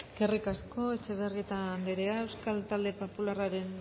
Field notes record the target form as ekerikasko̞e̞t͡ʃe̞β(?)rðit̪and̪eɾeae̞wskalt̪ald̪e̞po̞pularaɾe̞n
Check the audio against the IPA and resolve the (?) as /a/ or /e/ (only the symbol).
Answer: e